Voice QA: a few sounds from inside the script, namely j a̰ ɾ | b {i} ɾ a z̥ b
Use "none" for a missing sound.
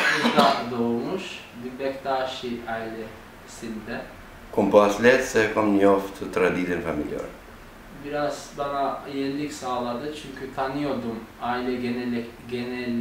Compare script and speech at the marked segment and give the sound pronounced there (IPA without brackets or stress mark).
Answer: i